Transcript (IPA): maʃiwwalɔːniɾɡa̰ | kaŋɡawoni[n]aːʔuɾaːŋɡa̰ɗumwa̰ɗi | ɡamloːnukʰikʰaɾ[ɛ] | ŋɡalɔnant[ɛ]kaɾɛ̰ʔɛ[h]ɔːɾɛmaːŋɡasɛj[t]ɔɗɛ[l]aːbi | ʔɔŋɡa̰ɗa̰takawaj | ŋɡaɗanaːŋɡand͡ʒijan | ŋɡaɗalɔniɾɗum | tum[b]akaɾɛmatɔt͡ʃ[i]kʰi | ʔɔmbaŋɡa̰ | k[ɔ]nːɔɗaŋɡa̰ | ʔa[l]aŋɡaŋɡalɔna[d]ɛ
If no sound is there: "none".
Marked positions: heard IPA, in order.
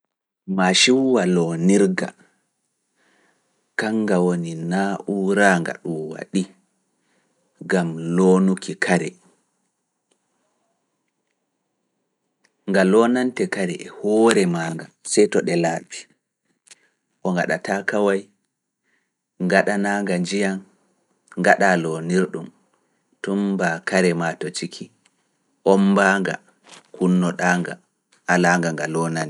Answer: n, ɛ, ɛ, h, t, l, b, i, u, l, n

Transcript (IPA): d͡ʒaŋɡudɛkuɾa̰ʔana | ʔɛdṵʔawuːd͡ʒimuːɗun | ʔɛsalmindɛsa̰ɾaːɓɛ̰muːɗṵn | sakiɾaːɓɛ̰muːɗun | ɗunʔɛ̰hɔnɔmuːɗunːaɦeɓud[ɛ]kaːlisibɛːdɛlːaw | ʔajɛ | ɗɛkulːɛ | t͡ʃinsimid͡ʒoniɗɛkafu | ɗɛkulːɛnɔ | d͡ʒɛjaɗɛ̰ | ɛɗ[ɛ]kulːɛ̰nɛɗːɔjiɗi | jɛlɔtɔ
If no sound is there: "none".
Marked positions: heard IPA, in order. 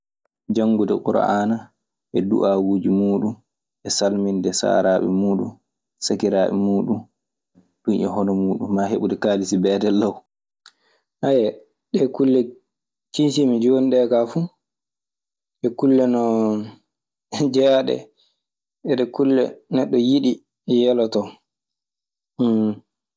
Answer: ɛ, ɛ

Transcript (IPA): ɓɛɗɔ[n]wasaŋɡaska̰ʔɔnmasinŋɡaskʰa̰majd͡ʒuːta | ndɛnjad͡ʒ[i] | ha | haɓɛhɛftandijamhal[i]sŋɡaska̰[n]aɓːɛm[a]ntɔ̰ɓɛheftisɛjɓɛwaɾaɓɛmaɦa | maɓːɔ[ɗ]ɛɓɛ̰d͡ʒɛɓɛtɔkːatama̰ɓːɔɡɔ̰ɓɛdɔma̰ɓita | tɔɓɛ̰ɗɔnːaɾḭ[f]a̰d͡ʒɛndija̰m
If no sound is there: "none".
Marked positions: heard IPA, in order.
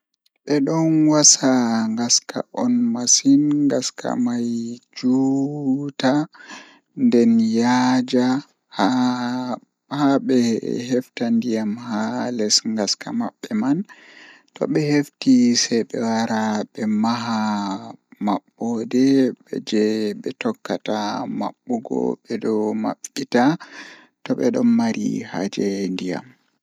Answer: n, a, ɛ, m, a, d, h

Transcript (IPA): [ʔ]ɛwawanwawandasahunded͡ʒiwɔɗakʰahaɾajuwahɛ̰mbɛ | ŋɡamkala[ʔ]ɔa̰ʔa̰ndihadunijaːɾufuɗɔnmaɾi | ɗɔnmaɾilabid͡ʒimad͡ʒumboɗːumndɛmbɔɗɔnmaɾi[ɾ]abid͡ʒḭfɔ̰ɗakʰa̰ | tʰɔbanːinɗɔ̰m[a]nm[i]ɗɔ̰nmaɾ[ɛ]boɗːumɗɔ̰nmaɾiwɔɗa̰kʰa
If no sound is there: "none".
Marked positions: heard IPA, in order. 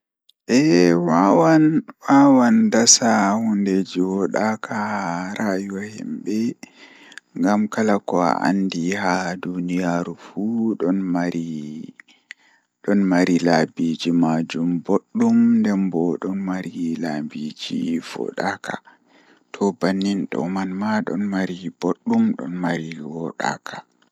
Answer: ʔ, k, l, a, a, i

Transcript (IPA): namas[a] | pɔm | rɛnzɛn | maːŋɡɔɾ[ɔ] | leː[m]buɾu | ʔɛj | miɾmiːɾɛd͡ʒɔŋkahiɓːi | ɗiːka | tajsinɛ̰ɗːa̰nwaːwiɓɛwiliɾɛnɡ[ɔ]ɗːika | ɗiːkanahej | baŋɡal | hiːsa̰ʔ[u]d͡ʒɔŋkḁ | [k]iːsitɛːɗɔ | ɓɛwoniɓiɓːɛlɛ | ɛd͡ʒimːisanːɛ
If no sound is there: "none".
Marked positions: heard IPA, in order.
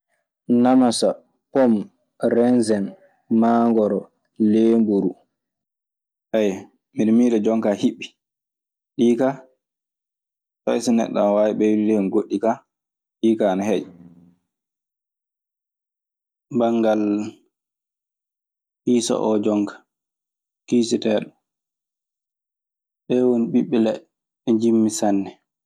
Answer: a, ɔ, m, o, ɔ, k

